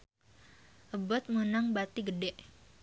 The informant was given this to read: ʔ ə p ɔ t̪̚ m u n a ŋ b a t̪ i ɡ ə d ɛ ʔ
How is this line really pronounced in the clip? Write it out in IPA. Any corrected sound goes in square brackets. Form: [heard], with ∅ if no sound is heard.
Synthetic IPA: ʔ ə [b] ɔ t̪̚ m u n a ŋ b a t̪ i ɡ ə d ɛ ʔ